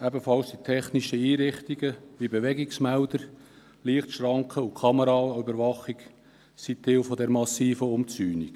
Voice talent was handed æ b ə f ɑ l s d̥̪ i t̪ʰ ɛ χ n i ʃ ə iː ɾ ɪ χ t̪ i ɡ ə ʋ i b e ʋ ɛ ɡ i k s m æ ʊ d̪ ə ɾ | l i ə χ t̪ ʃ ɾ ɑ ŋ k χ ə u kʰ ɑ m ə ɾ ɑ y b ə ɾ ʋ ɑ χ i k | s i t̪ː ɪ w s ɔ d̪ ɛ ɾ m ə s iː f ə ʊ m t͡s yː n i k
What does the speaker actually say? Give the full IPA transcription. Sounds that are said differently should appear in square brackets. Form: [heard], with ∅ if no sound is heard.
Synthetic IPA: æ b ə f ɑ l s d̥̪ i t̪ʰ ɛ χ n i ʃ ə iː ɾ ɪ χ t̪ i ɡ ə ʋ i b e ʋ ɛ ɡ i k s m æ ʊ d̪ ə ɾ | l i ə χ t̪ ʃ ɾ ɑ ŋ k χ ə u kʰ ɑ m ə ɾ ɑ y b ə ɾ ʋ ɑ χ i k | s i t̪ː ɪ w [f] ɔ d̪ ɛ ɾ m [ɑ] s iː f ə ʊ m t͡s yː n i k